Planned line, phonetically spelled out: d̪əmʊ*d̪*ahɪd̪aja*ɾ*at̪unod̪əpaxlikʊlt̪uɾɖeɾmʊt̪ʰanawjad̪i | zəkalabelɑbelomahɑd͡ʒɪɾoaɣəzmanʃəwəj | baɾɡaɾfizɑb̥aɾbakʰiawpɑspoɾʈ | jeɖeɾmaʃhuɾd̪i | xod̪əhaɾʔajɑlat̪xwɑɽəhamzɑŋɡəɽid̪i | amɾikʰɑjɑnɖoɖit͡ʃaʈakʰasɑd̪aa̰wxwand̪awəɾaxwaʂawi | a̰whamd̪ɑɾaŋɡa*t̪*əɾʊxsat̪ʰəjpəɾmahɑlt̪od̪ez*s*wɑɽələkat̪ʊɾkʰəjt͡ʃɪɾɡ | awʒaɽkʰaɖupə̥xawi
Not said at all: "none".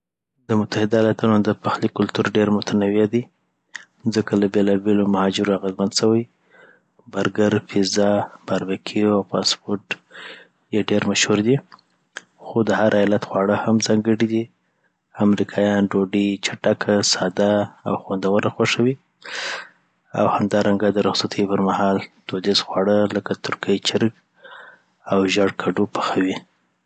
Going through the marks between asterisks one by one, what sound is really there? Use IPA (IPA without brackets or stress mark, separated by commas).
t̪, l, d̪, x